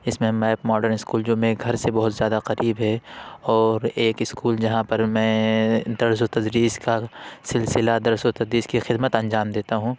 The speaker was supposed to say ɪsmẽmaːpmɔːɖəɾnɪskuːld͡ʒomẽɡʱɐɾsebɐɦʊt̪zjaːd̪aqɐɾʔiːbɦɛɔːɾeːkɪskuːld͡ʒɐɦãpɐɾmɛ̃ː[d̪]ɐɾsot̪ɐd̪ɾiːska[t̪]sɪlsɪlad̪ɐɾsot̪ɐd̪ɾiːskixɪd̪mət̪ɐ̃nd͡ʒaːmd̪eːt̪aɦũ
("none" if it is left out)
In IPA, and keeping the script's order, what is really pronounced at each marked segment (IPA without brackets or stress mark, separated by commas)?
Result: d̪, none